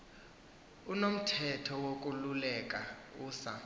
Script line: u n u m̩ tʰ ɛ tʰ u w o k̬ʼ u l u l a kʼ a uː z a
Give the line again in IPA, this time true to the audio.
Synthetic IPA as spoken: u n o m̩ tʰ ɛ tʰ ɔ w o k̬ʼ u l u l ɛ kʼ a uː s a